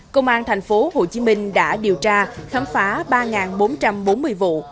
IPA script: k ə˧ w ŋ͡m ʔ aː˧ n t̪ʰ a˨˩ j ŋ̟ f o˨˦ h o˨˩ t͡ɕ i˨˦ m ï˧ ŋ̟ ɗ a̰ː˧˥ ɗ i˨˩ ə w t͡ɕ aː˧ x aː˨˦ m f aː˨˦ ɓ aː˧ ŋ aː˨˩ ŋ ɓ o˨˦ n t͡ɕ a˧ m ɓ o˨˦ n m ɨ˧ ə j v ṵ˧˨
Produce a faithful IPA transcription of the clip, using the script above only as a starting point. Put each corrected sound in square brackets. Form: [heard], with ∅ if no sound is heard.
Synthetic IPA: k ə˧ w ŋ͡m ʔ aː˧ n t̪ʰ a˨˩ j ŋ̟ f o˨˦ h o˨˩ t͡ɕ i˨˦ m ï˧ ŋ̟ ɗ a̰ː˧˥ ɗ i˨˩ ə w t͡ɕ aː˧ x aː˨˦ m f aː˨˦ ɓ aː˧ ŋ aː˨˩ [n] ɓ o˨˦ n t͡ɕ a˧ m ɓ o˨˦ n m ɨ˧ ə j v ṵ˧˨